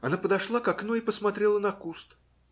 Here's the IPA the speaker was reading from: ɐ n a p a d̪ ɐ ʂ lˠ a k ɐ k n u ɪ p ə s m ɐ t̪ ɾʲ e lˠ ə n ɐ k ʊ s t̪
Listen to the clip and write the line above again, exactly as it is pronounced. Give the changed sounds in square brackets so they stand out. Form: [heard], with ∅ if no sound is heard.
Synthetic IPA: ɐ n a p [ə] d̪ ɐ ʂ lˠ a k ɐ k n u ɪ p ə s m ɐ t̪ ɾʲ e lˠ ə n ɐ k [u] s t̪